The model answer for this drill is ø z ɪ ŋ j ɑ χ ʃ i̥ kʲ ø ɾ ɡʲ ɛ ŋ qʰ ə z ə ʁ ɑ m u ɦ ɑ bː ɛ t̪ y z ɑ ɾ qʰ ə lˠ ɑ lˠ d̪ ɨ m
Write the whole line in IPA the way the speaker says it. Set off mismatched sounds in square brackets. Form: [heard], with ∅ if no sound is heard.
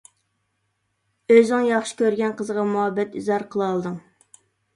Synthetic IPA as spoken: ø z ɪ ŋ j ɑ χ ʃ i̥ kʲ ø ɾ ɡʲ ɛ [n] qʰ ə z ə ʁ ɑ m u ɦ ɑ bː ɛ t̪ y z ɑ ɾ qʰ ə lˠ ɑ lˠ d̪ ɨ [ŋ]

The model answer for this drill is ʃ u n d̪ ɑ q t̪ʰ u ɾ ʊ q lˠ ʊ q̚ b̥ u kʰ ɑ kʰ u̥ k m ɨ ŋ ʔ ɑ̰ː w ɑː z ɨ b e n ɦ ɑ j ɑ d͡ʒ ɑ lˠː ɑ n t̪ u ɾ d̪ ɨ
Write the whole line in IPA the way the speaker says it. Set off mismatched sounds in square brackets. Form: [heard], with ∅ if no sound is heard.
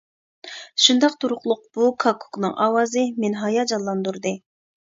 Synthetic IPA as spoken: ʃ u n d̪ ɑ q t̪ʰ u ɾ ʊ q lˠ ʊ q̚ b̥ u kʰ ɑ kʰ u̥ k [n] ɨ ŋ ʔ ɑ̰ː w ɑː z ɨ [m] e n ɦ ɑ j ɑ d͡ʒ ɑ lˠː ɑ n [d̪] u ɾ d̪ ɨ

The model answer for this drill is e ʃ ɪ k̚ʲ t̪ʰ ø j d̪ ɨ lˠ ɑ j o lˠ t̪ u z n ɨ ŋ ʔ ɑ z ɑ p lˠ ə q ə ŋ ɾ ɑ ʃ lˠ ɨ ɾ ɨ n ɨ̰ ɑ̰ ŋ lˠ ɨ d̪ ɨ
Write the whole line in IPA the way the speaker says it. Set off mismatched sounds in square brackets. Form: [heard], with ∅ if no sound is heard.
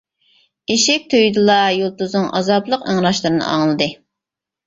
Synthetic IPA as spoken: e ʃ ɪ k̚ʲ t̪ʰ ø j d̪ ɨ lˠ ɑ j o lˠ t̪ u z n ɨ ŋ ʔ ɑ z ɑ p lˠ ə q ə ŋ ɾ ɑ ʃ lˠ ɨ ɾ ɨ n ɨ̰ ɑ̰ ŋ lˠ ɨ d̪ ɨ

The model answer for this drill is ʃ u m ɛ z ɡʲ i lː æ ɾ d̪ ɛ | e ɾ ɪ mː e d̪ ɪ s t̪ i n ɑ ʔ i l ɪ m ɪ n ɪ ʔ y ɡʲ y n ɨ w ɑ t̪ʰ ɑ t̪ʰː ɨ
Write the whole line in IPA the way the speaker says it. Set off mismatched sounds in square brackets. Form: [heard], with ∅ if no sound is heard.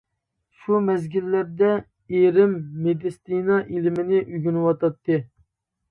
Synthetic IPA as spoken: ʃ u m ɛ z ɡʲ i lː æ ɾ d̪ ɛ | e ɾ ɪ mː e d̪ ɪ s t̪ i n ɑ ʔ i l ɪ m ɪ n ɪ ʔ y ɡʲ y n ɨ w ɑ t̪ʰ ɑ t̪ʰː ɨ

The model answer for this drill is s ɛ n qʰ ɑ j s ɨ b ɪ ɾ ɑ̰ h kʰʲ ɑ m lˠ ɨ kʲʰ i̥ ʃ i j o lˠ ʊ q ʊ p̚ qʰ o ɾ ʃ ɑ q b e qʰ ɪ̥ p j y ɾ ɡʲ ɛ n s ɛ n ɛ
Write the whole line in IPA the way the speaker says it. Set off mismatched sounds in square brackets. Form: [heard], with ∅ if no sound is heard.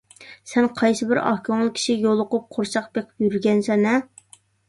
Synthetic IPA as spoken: s ɛ n qʰ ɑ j s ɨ b ɪ ɾ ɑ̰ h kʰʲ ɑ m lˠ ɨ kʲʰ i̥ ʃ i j o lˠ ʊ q ʊ p̚ qʰ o ɾ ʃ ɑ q b e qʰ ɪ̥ p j y ɾ ɡʲ ɛ n s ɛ n ɛ

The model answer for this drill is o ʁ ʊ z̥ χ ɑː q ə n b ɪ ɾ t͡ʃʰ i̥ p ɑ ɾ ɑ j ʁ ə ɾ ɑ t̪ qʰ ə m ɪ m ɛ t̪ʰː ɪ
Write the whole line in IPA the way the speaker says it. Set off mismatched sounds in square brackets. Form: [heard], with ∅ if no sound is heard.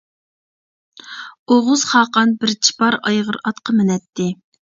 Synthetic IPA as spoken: o ʁ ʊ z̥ χ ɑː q [ɑ] n b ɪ ɾ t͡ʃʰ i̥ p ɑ ɾ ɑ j ʁ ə ɾ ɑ t̪ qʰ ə m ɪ [n] ɛ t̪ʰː ɪ

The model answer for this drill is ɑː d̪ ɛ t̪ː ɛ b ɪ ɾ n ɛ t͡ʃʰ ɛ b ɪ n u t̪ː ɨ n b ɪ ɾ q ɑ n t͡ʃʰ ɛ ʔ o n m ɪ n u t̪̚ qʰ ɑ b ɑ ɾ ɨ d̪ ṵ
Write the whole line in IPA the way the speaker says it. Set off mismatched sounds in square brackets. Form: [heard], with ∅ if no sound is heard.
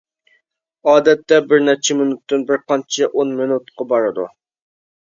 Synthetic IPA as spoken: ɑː d̪ ɛ t̪ː ɛ b ɪ ɾ n ɛ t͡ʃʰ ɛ [m] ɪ n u t̪ː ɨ n b ɪ ɾ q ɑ n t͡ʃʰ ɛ ʔ o n m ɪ n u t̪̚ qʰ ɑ b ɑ ɾ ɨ d̪ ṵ

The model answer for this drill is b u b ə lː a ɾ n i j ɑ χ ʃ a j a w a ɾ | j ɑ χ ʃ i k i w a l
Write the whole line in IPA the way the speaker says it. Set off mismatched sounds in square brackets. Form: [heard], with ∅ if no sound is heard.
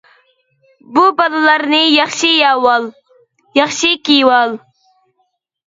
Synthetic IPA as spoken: b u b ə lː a ɾ n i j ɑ χ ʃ [i] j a w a [l] | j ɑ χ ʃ i k i w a l

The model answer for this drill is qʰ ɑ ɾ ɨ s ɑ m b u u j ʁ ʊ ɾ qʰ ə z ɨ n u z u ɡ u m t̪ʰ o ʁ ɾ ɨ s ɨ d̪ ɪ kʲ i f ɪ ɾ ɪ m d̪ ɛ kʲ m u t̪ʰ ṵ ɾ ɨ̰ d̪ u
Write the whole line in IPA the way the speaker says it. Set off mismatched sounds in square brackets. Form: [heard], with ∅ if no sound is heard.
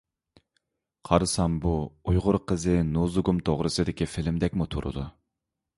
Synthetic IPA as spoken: qʰ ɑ ɾ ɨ s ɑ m b u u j ʁ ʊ ɾ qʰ ə z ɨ n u z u ɡ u m t̪ʰ o ʁ ɾ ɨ s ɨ d̪ ɪ kʲ i f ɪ [l] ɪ m d̪ ɛ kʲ m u t̪ʰ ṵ ɾ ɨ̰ d̪ u

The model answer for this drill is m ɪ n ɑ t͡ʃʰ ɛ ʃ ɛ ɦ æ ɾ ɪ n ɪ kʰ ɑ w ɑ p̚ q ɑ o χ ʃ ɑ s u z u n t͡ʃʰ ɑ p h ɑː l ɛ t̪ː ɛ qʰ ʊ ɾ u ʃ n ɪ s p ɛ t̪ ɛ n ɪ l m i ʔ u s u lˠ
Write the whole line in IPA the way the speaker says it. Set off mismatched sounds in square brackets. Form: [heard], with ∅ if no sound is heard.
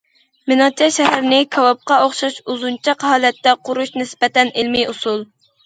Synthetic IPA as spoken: m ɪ n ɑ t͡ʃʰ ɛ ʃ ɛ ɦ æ ɾ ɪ n ɪ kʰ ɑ w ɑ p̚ q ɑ o χ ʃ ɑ [ʃ] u z u n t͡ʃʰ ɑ [q] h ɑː l ɛ t̪ː ɛ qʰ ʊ ɾ u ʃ n ɪ s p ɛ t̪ ɛ n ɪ l m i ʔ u s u lˠ

